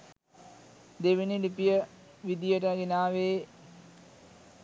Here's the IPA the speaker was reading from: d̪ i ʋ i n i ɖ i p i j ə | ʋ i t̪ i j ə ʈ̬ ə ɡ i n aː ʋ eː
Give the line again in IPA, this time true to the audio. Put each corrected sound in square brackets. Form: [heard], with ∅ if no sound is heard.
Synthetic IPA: d̪ [e] ʋ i n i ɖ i p i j ə | ʋ i [d̪] i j ə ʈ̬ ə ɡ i n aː ʋ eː